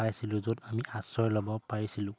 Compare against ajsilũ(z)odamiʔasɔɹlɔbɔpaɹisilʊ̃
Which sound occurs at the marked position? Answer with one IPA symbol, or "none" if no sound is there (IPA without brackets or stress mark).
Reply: z